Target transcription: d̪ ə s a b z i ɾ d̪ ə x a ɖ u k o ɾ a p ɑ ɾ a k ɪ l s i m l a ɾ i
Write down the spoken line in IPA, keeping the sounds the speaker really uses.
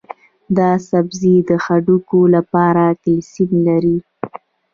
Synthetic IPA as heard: d̪ ɑ s a b z i d̪ ə x a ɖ u k o l a p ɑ ɾ a k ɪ l s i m l a ɾ i